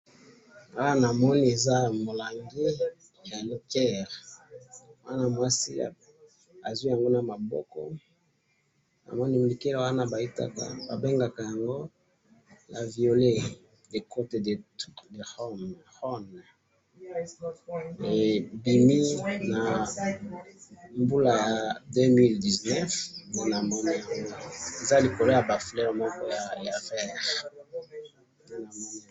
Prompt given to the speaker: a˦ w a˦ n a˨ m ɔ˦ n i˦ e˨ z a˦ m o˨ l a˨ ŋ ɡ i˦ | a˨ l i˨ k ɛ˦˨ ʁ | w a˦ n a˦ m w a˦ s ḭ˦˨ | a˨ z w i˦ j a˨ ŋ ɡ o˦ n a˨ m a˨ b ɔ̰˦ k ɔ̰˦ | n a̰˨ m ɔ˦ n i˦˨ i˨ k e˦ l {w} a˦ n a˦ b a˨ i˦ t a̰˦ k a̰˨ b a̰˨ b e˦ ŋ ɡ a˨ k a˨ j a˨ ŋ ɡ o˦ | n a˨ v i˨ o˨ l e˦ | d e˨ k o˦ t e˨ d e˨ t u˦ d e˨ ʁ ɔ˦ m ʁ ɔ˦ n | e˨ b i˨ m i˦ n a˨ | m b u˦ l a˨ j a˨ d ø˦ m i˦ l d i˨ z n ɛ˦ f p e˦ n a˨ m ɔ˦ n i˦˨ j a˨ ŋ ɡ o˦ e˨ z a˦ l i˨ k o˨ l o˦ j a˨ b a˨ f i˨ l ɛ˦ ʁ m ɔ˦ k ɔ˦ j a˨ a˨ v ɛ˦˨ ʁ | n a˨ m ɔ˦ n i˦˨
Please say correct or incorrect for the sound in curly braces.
correct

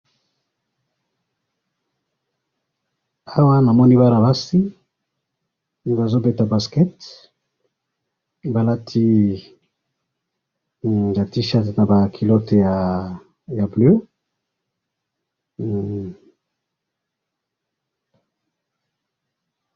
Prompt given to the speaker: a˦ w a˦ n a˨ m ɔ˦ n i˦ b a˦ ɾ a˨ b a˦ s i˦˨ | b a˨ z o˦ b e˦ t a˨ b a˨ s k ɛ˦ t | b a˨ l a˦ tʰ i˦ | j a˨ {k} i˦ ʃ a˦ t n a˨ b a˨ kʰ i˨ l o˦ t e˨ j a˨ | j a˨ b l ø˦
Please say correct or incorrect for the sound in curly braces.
incorrect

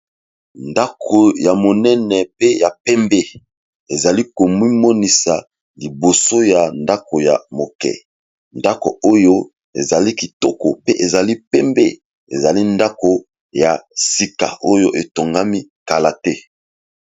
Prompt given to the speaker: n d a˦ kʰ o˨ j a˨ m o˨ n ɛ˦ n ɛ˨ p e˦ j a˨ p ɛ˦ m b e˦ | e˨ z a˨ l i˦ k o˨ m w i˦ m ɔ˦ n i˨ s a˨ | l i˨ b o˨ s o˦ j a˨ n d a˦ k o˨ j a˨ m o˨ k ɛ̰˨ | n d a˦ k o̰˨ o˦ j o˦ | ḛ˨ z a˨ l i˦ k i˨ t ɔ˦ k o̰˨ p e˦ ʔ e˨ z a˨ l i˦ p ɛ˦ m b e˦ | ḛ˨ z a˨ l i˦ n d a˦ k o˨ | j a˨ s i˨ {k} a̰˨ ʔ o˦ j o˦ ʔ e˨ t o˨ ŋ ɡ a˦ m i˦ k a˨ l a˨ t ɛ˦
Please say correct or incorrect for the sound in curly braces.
correct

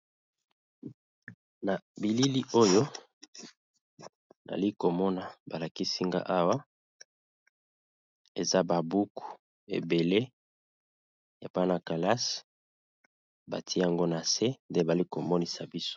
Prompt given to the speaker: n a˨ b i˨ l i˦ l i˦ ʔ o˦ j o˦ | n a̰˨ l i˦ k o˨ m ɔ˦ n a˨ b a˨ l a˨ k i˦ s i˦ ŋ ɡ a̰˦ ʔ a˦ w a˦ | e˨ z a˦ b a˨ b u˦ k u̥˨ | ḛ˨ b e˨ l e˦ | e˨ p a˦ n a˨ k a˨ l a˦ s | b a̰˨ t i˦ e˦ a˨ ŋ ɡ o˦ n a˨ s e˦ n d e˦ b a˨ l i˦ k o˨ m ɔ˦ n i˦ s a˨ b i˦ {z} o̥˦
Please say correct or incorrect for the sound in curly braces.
incorrect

